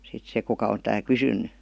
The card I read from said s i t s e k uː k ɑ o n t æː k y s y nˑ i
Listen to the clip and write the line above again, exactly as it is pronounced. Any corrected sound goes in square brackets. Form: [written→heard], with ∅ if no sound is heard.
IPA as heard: s i t s e k [uː→u] k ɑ o n t æː k y s y nˑ [i→y]